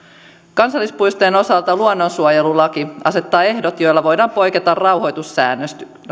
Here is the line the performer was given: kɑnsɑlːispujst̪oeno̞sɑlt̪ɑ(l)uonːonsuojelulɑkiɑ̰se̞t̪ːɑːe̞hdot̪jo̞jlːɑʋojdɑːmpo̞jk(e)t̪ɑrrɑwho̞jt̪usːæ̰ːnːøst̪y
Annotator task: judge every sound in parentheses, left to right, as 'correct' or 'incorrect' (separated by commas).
correct, correct